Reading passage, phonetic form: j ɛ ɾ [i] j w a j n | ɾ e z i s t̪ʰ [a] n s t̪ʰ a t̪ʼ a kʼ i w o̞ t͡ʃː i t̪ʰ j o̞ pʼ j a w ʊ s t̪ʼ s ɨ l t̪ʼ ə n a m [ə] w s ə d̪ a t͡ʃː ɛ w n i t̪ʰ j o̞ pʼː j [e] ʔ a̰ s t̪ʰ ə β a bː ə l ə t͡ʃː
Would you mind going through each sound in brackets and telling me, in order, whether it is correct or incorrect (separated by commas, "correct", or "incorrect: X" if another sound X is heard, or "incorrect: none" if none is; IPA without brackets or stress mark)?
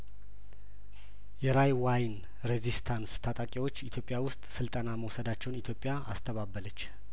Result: incorrect: a, correct, correct, incorrect: a